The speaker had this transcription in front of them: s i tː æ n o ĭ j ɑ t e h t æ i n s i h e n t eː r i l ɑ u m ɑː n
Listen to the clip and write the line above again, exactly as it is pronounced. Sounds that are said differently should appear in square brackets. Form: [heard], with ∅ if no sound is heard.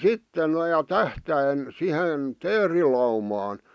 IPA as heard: s i tː [e] n o ĭ j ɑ t [æ] h t æ i n s i h e n t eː r i l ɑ u m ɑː n